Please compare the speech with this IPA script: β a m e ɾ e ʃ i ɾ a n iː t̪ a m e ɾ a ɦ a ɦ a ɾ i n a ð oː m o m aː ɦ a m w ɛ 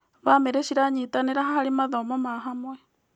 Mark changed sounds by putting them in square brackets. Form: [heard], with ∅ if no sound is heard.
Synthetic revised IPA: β a m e ɾ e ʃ i ɾ a [ɲ] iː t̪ a [n] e ɾ a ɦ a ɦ a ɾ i [m] a ð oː m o m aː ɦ a m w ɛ